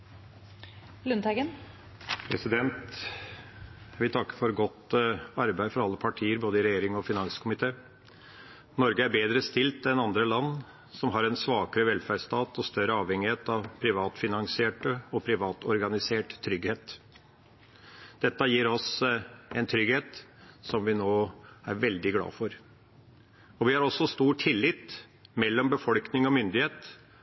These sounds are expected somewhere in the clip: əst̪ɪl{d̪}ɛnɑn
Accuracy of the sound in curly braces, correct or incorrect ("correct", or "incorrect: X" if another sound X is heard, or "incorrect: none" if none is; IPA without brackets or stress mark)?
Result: incorrect: t̪